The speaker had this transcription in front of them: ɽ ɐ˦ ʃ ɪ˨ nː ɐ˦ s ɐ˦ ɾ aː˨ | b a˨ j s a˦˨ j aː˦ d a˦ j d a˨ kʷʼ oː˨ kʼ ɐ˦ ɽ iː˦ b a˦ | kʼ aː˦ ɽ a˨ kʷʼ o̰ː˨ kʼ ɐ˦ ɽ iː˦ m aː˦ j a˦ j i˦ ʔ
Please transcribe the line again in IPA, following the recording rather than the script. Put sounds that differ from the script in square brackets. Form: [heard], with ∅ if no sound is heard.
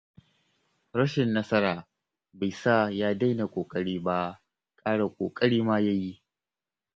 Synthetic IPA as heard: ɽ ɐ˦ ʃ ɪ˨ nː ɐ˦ s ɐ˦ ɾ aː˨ | b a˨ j s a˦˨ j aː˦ d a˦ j [n] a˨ kʷʼ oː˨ kʼ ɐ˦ ɽ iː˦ b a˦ | kʼ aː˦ ɽ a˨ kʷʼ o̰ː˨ kʼ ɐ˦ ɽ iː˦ m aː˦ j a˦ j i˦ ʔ

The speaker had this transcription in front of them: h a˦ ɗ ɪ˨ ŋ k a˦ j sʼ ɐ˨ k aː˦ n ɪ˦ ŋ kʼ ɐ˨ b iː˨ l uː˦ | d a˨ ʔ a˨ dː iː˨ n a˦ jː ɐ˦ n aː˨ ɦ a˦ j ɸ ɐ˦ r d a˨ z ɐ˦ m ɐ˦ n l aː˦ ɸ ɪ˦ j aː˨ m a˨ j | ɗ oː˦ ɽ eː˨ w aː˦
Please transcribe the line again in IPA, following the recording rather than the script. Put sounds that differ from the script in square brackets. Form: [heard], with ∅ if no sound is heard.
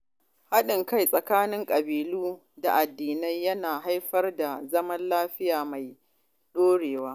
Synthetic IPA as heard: h a˦ ɗ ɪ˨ ŋ k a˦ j sʼ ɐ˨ k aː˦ n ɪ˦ ŋ kʼ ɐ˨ b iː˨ l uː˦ | d a˨ ʔ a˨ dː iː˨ n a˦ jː ɐ˦ n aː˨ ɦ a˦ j ɸ ɐ˦ r d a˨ z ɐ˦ m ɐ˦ n l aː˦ ɸ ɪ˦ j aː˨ m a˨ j | ɗ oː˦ ɽ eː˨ w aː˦

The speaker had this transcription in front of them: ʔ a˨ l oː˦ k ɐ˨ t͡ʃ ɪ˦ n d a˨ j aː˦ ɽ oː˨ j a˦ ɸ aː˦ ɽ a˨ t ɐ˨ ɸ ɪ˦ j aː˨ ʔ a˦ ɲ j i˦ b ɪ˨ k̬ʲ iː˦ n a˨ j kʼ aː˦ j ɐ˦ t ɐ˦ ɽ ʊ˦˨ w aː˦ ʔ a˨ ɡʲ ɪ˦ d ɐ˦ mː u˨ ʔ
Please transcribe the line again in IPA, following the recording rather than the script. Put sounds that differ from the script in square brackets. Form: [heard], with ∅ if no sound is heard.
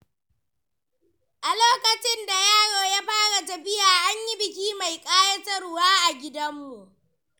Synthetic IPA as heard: ʔ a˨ l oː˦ k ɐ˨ t͡ʃ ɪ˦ n d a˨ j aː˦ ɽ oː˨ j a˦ ɸ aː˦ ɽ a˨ t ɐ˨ ɸ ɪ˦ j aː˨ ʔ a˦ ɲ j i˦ b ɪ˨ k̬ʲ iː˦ [m] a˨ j kʼ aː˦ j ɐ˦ t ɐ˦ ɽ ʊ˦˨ w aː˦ ʔ a˨ ɡʲ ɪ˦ d ɐ˦ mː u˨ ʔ

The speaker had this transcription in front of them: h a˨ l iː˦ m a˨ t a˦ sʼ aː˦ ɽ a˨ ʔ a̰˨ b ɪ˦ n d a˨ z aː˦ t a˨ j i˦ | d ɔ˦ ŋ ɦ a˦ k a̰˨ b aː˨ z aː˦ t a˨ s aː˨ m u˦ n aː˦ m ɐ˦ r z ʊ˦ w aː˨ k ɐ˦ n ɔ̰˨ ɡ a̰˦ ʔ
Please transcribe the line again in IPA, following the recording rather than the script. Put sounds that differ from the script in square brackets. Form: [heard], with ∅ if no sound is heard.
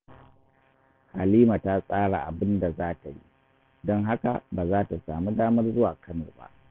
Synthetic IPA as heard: h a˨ l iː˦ m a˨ t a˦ sʼ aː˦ ɽ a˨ ʔ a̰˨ b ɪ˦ n d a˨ z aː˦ t a˨ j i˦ | d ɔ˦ ŋ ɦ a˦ k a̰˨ b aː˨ z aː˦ t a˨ s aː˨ m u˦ [d] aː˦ m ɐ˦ r z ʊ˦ w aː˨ k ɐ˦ n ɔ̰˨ [b] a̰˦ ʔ

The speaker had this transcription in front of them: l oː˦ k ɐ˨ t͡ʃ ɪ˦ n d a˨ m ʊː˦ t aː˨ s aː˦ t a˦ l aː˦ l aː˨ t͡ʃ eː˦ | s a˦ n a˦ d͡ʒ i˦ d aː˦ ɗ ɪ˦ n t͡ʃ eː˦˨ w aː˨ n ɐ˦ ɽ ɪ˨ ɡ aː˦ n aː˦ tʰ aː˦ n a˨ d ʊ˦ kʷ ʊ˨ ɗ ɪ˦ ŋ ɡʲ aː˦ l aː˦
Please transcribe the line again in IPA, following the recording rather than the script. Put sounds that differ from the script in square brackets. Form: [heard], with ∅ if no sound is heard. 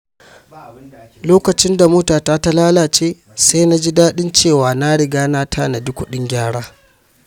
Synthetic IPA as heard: l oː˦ k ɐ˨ t͡ʃ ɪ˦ n d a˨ m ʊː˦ t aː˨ [t] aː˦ t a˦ l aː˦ l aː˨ t͡ʃ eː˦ | s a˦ n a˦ d͡ʒ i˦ d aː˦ ɗ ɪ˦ n t͡ʃ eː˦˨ w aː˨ n [a˦] ɽ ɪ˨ ɡ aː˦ n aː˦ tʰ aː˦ n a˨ d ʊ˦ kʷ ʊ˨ ɗ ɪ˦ ŋ ɡʲ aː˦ [ɽ] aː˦

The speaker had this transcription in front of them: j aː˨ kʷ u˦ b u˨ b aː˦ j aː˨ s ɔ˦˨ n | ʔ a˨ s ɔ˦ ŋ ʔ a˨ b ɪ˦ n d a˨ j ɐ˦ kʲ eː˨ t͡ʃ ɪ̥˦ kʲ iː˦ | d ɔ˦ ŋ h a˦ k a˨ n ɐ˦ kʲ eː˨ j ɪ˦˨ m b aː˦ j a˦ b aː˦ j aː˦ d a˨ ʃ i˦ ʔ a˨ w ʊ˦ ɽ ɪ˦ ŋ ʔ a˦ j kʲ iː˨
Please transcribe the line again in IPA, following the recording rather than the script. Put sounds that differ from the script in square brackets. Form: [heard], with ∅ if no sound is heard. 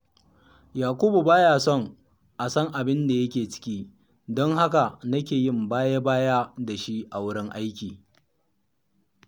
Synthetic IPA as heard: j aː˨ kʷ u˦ b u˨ b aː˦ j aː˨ s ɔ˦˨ [ŋ] | ʔ a˨ s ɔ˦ ŋ ʔ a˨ b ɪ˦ n d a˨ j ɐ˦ kʲ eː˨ t͡ʃ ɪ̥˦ kʲ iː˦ | d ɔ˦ ŋ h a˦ k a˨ n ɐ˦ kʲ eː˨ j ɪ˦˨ m b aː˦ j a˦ b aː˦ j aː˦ d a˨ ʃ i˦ ʔ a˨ w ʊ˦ ɽ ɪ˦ ŋ ʔ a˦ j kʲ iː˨

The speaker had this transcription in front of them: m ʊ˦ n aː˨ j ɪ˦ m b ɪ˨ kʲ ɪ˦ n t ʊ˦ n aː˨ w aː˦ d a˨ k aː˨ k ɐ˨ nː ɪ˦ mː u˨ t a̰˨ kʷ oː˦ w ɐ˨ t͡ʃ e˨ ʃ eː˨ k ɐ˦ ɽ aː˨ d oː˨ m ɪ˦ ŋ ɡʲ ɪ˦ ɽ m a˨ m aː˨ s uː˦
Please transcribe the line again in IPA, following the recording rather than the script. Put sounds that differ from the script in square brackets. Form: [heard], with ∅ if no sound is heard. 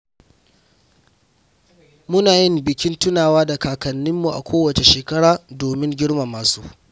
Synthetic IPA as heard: m ʊ˦ n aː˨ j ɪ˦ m b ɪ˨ kʲ ɪ˦ n t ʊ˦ n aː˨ w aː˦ d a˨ k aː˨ k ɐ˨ nː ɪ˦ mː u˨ [ʔ] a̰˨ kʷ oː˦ w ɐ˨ t͡ʃ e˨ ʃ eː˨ k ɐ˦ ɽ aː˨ d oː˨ m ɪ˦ ŋ ɡʲ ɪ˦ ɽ m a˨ m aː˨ s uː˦

